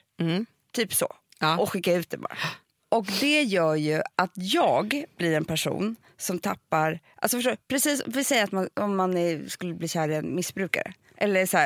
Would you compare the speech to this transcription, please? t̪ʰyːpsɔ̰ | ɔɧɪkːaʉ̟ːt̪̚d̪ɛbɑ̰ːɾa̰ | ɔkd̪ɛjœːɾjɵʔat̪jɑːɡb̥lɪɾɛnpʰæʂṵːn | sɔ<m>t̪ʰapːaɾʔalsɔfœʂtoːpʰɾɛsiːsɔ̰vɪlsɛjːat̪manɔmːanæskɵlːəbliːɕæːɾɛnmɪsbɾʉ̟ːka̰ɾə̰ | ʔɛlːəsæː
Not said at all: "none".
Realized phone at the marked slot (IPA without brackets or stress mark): m